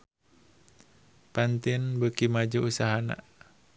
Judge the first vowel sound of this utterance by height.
low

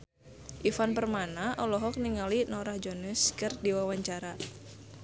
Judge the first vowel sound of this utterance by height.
high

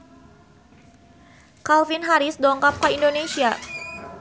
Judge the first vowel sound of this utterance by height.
low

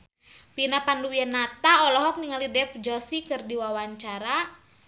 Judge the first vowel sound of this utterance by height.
high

